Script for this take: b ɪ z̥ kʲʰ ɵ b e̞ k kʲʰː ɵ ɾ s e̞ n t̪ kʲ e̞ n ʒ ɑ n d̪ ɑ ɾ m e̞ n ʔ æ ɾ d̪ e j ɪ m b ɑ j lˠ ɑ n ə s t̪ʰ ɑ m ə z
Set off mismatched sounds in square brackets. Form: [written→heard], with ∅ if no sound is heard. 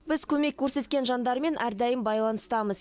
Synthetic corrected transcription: b ɪ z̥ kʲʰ ɵ [b→m] e̞ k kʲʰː ɵ ɾ s e̞ [n→∅] t̪ kʲ e̞ n ʒ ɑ n d̪ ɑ ɾ m e̞ n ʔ æ ɾ d̪ [e→æ] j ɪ m b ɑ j lˠ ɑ n ə s [t̪ʰ→t̪] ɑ m ə z

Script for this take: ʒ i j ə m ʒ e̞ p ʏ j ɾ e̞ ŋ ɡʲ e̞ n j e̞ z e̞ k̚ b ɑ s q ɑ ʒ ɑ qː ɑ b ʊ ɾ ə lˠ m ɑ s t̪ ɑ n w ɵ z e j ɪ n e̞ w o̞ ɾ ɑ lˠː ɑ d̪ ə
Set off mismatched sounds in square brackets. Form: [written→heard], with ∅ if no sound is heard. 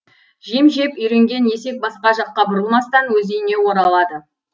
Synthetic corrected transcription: ʒ i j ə m ʒ e̞ p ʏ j ɾ e̞ ŋ ɡʲ e̞ n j e̞ [z→s] e̞ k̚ b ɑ s q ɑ ʒ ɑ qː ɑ b ʊ ɾ ə lˠ m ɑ s t̪ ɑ n w ɵ z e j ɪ n e̞ w o̞ ɾ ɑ [lˠː→lˠ] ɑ d̪ ə

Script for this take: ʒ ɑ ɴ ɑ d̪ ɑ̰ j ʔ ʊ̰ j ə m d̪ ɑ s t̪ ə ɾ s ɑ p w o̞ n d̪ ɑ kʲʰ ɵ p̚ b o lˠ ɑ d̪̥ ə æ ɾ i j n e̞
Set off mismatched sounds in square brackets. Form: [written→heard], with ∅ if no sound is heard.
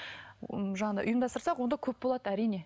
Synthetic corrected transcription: ʒ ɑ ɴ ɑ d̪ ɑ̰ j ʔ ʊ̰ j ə m d̪ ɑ s t̪ ə ɾ s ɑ [p→q] w o̞ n d̪ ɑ kʲʰ ɵ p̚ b o lˠ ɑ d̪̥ ə æ ɾ i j n e̞

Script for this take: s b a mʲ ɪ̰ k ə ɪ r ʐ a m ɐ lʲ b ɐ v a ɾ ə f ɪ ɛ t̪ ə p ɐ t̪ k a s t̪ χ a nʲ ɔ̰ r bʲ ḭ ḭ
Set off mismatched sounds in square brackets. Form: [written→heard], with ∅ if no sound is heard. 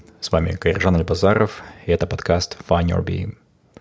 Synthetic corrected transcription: s [b→v] a mʲ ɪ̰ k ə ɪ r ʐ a [m→n] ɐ lʲ b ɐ [v→z] a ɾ ə f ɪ ɛ t̪ ə p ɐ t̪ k a s t̪ [χ→f] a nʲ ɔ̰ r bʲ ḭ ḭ

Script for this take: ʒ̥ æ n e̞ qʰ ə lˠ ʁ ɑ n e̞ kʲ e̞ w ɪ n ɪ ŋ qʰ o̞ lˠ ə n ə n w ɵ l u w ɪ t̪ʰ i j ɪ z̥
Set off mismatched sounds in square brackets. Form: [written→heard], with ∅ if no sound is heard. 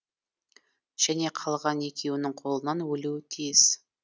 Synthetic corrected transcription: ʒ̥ æ n e̞ qʰ [ə→ɑ] lˠ ʁ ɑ n e̞ kʲ e̞ w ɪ n ɪ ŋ qʰ o̞ lˠ ə n [ə→ɑ] n w ɵ l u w ɪ t̪ʰ i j ɪ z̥

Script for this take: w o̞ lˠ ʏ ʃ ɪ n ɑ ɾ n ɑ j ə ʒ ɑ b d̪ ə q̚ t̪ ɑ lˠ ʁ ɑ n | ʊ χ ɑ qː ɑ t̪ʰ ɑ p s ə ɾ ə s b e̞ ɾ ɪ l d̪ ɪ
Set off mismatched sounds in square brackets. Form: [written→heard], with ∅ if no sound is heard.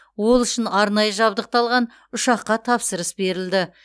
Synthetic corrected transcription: w o̞ lˠ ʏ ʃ ɪ n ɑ ɾ n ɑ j ə ʒ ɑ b d̪ ə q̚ t̪ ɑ lˠ ʁ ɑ n | ʊ [χ→ʃ] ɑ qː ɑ t̪ʰ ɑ p s ə ɾ ə s b e̞ ɾ ɪ l d̪ ɪ

